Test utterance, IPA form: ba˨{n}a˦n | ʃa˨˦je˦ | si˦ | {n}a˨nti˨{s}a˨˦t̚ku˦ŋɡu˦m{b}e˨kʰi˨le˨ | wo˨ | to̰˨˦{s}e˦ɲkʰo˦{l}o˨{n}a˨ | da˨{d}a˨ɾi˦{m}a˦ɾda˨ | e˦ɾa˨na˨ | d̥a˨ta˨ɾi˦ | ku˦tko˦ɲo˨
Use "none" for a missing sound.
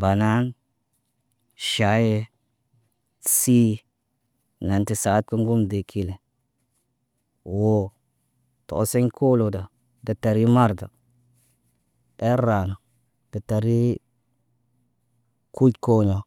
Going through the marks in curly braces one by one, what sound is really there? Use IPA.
n, n, s, d, s, l, d, t, m

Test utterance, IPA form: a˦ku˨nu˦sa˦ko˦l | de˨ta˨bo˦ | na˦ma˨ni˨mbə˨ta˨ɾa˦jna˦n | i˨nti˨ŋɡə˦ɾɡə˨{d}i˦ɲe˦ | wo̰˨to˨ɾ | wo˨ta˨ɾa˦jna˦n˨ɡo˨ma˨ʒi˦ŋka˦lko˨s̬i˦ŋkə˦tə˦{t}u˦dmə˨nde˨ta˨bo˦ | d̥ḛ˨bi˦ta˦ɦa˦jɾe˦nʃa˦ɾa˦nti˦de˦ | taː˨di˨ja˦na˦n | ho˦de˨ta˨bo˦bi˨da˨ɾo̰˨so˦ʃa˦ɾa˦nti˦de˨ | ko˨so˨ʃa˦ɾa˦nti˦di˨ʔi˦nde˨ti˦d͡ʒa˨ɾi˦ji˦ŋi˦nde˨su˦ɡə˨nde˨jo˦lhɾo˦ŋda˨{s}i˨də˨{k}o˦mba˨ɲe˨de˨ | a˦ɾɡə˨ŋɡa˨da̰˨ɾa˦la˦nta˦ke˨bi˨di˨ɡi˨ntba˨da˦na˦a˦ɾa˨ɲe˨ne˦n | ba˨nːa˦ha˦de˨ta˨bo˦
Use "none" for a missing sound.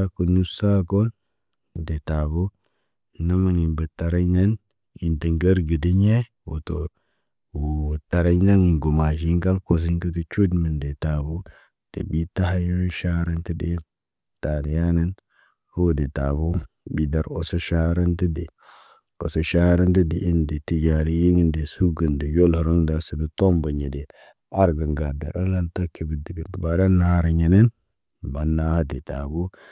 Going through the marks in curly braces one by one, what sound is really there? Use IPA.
d, t͡ʃ, s, t

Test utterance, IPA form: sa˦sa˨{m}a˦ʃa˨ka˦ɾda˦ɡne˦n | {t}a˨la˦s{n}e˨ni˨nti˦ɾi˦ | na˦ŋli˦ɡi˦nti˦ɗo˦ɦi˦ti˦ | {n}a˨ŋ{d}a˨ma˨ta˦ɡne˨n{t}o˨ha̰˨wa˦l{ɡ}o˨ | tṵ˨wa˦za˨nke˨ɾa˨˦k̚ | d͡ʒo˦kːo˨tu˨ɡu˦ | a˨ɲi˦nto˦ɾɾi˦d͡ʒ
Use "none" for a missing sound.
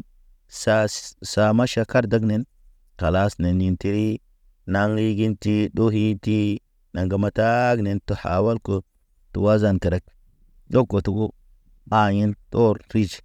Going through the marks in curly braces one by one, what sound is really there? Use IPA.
m, k, n, n, ɡ, t, k

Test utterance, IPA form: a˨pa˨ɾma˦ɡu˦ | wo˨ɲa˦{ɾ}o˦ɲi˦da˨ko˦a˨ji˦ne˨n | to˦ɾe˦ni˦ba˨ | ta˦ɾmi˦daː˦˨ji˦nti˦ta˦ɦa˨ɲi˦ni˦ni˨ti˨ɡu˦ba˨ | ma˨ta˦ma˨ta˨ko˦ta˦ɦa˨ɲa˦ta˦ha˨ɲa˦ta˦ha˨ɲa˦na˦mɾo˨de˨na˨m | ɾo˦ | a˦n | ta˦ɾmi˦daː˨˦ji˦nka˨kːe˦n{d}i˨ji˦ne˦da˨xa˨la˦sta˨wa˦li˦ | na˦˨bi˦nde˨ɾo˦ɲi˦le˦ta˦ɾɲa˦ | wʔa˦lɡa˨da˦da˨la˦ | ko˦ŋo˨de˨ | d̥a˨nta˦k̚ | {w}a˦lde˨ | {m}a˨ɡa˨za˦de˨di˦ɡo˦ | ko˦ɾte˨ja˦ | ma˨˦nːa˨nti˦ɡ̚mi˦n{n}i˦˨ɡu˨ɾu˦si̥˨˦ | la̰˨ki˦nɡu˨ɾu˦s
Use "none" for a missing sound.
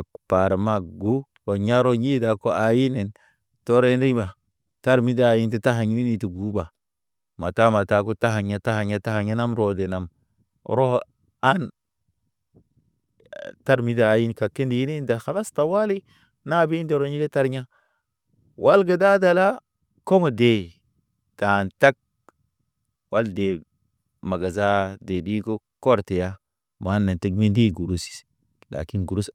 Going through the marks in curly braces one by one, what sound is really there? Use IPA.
ɾ, d, w, m, d

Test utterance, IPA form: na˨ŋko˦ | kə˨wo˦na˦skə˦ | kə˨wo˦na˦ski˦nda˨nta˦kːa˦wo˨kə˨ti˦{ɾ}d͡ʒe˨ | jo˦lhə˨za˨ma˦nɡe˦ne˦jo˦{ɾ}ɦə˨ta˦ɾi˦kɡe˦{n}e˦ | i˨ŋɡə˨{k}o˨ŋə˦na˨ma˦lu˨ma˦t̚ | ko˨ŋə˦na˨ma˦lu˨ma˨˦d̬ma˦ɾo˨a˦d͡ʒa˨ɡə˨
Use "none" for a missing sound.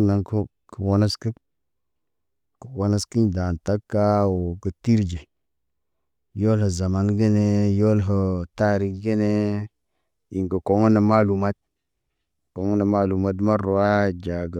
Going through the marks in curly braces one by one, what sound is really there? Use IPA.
ɾ, l, n, k

